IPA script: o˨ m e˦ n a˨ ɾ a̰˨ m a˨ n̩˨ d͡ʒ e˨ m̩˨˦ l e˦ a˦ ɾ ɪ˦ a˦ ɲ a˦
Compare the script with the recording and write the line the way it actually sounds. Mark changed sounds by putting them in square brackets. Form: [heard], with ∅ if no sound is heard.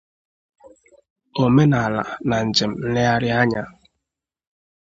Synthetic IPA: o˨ m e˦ n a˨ [l] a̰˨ [n] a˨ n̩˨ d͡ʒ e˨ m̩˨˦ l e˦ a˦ ɾ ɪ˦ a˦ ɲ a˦